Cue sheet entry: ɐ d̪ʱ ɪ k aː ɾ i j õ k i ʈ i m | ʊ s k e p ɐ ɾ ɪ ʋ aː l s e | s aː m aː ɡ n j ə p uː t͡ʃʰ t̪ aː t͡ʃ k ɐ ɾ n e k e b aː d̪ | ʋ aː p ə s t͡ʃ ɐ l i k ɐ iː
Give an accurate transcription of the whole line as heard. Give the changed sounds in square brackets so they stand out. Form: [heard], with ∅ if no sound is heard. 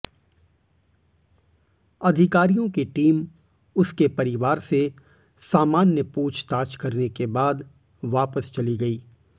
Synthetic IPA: ɐ d̪ʱ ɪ k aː ɾ i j õ k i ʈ [iː] m | ʊ s k e p ɐ ɾ ɪ ʋ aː [ɾ] s e | s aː m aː [∅] n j ə p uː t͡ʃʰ t̪ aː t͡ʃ k ɐ ɾ n e k e b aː d̪ | ʋ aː p ə s t͡ʃ ɐ l i [ɡ] ɐ iː